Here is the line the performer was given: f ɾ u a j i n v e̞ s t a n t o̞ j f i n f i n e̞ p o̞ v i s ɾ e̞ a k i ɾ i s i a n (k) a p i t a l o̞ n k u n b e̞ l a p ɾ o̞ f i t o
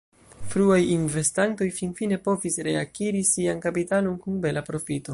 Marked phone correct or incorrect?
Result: correct